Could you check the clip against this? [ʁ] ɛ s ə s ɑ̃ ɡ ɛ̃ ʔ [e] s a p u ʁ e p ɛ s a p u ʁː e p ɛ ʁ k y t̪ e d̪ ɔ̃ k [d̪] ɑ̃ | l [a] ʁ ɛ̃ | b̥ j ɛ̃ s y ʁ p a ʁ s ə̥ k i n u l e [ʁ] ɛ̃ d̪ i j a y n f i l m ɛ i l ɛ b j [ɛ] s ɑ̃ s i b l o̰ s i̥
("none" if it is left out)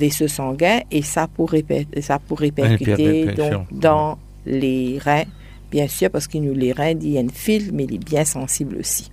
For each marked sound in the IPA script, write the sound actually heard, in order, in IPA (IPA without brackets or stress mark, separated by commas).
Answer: v, e, d̪, e, ʁ, ɛ̃